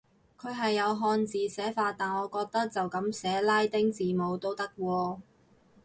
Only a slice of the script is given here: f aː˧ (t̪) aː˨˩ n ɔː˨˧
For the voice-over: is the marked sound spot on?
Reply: yes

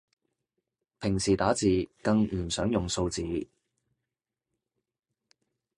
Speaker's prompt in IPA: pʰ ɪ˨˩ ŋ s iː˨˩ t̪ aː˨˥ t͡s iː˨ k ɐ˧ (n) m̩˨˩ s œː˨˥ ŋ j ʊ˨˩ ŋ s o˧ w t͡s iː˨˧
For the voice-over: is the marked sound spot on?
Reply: no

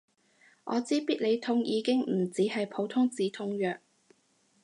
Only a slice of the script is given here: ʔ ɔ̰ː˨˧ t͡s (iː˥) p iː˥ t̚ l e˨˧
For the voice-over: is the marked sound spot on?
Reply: yes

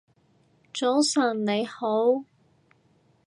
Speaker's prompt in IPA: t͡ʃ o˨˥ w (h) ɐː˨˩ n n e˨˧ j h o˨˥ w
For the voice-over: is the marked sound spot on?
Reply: no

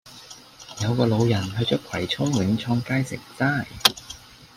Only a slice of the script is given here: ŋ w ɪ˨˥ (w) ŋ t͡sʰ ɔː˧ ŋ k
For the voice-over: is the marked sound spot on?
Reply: no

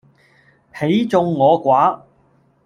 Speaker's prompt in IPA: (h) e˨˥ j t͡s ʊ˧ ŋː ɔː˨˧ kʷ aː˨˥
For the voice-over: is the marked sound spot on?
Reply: yes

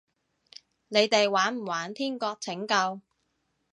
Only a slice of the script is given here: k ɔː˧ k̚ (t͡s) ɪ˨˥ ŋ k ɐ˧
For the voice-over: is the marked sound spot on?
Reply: no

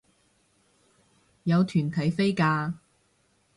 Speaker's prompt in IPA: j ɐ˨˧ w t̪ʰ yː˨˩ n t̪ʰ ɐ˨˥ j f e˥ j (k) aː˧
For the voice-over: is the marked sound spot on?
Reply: yes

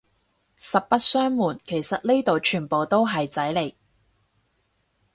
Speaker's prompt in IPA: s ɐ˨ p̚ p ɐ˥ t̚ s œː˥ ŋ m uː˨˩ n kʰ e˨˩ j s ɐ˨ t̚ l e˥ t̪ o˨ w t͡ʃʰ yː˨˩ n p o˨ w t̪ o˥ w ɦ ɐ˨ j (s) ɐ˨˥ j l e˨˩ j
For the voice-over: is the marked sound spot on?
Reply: no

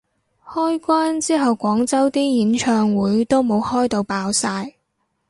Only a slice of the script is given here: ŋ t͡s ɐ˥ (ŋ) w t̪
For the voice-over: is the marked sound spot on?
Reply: no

